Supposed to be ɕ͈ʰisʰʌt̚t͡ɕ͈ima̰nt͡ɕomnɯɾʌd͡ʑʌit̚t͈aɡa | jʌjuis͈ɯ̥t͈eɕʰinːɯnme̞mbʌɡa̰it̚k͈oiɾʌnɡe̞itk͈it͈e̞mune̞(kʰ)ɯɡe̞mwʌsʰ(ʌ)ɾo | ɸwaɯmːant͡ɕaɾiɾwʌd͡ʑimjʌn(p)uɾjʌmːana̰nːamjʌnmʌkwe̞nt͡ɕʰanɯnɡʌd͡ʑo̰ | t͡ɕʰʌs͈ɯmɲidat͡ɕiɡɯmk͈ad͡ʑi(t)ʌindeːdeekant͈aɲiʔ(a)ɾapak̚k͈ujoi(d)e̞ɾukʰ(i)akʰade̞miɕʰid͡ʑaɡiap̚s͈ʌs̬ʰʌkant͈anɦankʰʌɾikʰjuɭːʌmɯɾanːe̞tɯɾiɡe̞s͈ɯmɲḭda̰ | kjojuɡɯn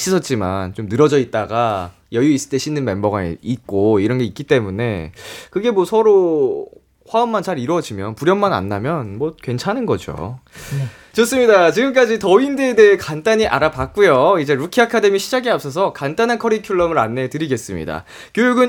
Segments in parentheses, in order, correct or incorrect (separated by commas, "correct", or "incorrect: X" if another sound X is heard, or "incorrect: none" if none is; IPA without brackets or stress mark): incorrect: k, correct, correct, correct, correct, incorrect: d͡ʑ, correct